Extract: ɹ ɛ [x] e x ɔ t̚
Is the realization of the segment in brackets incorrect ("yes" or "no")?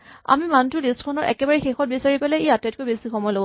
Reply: no